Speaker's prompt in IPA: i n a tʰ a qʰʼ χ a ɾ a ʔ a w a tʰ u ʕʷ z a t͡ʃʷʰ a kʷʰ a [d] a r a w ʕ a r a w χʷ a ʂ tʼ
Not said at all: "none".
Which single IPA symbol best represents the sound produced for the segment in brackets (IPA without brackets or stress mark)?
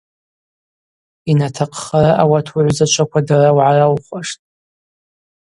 d